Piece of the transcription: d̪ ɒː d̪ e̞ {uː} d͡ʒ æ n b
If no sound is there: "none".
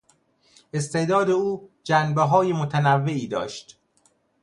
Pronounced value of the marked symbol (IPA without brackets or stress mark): uː